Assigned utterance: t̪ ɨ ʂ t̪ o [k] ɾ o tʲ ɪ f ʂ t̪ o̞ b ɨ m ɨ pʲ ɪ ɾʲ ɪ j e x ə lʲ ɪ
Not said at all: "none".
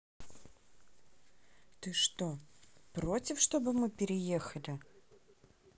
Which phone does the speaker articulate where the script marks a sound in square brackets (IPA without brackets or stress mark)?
p